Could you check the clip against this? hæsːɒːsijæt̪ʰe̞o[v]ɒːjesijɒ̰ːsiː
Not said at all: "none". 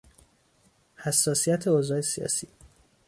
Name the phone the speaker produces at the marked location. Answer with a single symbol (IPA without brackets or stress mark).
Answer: z